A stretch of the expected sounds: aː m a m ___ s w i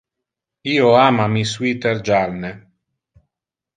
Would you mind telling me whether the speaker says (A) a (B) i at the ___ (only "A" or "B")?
B